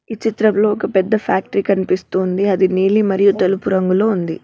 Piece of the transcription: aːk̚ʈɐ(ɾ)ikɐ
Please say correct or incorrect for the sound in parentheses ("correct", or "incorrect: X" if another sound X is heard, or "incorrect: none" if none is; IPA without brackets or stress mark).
correct